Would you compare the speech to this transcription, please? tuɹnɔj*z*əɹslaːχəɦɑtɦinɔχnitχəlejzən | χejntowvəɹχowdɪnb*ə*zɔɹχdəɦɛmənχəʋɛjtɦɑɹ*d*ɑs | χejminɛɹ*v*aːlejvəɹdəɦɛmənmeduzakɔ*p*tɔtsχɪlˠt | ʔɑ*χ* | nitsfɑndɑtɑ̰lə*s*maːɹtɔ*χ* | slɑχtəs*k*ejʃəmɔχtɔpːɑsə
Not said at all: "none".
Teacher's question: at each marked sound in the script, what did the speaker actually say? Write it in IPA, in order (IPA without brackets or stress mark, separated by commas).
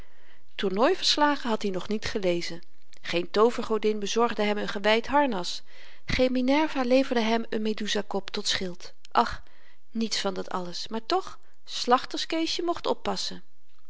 v, ə, n, v, p, χ, s, χ, k